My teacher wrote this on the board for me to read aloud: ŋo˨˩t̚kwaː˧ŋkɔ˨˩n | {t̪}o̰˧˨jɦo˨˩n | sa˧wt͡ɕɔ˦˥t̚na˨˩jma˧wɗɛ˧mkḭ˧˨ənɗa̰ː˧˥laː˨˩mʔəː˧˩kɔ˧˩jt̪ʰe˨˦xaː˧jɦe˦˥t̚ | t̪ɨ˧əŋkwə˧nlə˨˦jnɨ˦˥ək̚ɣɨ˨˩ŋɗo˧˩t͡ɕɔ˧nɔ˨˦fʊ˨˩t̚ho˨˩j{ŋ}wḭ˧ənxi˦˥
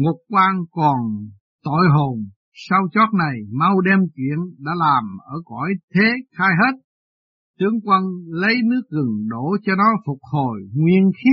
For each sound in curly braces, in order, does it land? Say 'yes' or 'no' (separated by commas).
yes, yes